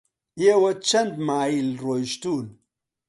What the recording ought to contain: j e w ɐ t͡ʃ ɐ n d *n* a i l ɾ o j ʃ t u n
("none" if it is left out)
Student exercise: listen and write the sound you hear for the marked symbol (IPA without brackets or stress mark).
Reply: m